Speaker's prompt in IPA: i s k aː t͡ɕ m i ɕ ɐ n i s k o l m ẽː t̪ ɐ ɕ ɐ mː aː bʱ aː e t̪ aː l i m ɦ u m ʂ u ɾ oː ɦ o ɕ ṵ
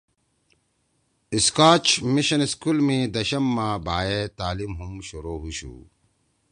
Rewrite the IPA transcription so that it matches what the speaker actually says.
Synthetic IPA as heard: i s k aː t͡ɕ m i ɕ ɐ n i s k u l m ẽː d̪ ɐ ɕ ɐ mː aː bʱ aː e t̪ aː l i m ɦ u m ɕ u ɾ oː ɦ u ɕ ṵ

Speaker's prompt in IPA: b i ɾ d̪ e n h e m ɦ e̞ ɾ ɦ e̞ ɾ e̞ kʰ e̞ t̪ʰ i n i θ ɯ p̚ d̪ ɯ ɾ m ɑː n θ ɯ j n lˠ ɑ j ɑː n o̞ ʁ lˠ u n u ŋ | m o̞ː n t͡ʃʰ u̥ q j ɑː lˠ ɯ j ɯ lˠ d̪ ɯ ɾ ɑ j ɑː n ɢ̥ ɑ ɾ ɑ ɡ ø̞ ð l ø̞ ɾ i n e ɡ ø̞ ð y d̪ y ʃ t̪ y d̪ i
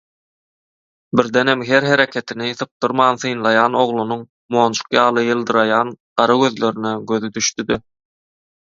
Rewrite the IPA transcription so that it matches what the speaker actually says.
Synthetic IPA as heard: b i ɾ d̪ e n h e m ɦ e̞ ɾ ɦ e̞ ɾ e̞ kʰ e̞ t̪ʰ i n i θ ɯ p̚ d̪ ɯ ɾ m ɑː n θ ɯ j n lˠ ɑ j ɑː n o̞ ʁ lˠ u n u ŋ | m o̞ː n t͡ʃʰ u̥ q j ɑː lˠ ɯ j ɯ lˠ d̪ ɯ ɾ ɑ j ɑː n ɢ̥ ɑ ɾ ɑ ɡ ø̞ ð l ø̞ ɾ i n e ɡ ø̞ ð y d̪ y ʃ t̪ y d̪ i

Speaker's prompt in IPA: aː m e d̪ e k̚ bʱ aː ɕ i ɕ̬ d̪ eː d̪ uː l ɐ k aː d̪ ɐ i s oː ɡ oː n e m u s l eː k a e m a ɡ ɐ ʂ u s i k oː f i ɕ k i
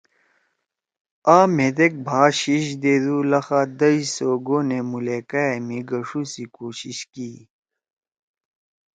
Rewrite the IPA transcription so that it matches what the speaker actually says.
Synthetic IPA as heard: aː m e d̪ e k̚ bʱ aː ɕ i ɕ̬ d̪ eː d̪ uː l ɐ x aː d̪ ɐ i s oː ɡ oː n e m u l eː k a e m i ɡ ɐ ʂ u s i k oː ɕ i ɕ k i

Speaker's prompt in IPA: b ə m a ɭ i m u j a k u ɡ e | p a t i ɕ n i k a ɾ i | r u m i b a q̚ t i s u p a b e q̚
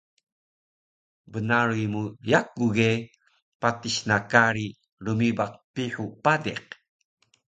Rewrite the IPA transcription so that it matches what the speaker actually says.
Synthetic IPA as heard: b ə n a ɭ i m u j a k u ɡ e | p a t i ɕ n a k a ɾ i | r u m i b a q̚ p i ħ u p a d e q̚

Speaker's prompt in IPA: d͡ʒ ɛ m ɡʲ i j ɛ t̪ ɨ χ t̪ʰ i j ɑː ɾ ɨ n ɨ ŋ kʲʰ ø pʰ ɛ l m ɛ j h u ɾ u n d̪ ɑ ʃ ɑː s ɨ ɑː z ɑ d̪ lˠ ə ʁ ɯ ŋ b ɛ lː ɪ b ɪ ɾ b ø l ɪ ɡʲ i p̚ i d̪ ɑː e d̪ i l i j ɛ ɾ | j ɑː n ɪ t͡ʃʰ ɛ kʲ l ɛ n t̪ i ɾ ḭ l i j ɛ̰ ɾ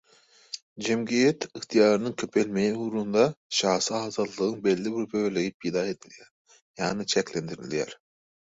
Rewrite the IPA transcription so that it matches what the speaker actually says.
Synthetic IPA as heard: d͡ʒ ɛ m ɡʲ i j ɛ t̪ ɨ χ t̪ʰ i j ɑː ɾ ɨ n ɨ ŋ kʲʰ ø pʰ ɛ l m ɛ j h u ɾ u n d̪ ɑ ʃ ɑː s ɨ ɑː z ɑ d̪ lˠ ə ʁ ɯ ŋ b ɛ lː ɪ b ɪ ɾ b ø l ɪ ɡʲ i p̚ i d̪ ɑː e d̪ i l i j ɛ ɾ | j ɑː n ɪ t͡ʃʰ ɛ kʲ l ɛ n d̪ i ɾ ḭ l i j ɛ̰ ɾ

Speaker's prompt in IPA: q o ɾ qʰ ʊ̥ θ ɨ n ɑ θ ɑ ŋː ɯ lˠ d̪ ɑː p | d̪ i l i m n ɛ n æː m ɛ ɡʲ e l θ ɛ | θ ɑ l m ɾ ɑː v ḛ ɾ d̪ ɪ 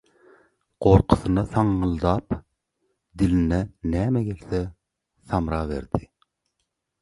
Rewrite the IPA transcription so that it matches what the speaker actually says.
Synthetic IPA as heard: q o ɾ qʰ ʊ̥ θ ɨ n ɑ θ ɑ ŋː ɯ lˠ d̪ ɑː p | d̪ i l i n ɛ n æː m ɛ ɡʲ e l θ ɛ | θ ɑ m ɾ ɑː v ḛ ɾ d̪ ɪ

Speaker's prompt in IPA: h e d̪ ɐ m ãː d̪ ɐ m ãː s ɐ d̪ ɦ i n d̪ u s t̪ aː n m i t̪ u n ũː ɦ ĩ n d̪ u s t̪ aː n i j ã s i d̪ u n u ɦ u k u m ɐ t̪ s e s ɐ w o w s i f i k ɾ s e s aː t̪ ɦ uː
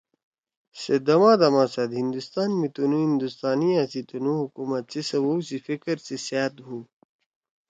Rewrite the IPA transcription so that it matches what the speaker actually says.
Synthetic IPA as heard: s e d̪ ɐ m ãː d̪ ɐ m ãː s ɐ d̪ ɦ i n d̪ u s t̪ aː n m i t̪ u n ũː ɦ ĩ n d̪ u s t̪ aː n i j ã s i t̪ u n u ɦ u k u m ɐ t̪ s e s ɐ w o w s i f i k ɾ s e s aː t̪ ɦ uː

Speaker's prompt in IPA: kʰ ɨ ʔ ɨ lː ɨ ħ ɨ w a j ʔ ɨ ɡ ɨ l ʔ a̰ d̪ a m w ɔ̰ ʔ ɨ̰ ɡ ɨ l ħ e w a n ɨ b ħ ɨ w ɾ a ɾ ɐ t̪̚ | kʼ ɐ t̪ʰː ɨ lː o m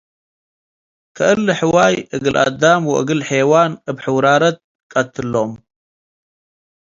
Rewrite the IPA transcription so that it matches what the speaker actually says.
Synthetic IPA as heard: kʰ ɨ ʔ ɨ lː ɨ ħ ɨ w a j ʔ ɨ ɡ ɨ l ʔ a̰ d̪ a m w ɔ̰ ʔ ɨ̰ ɡ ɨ l ħ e w a n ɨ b ħ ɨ w ɾ a ɾ ɐ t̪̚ | kʼ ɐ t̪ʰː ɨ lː o m

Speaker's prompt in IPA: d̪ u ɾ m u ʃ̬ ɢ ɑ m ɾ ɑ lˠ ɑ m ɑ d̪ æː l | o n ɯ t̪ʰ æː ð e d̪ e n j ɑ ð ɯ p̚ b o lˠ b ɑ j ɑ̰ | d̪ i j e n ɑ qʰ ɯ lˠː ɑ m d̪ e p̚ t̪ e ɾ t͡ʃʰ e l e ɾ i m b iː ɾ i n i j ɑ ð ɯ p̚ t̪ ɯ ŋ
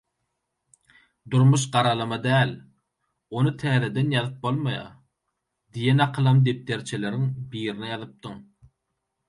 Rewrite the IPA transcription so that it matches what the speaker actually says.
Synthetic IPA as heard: d̪ u ɾ m u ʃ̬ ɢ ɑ ɾ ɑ lˠ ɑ m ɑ d̪ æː l | o n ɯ t̪ʰ æː ð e d̪ e n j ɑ ð ɯ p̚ b o lˠ m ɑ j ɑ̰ | d̪ i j e n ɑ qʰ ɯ lˠ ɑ m d̪ e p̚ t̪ e ɾ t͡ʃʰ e l e ɾ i ŋ b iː ɾ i n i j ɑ ð ɯ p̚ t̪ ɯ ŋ

